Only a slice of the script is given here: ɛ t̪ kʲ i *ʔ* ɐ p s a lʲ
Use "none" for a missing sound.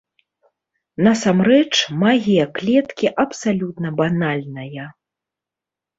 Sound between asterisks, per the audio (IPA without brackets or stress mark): ʔ